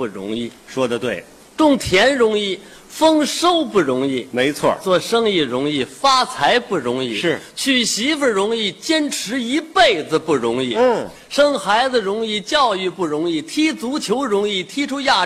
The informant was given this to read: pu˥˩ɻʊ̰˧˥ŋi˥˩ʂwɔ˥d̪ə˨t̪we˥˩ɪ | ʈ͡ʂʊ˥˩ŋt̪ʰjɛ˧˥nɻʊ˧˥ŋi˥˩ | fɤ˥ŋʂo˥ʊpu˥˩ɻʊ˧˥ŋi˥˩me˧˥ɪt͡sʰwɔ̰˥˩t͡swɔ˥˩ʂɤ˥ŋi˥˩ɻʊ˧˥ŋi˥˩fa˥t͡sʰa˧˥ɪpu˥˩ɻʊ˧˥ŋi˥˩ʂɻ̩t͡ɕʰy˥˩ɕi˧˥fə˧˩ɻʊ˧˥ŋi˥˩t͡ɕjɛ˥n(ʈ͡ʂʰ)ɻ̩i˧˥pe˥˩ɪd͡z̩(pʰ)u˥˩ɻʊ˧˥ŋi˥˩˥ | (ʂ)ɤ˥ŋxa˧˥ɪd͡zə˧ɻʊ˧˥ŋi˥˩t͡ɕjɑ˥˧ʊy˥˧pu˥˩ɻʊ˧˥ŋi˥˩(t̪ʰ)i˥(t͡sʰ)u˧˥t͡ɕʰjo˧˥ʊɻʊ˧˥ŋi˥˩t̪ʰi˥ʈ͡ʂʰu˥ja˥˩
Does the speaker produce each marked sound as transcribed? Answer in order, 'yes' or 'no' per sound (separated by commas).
yes, no, yes, yes, no